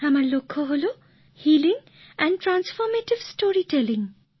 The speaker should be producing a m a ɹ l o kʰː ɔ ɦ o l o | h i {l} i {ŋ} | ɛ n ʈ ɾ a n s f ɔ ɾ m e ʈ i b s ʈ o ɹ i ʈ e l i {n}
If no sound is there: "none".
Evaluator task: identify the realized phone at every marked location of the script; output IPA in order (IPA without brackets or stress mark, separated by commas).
l, ŋ, ŋ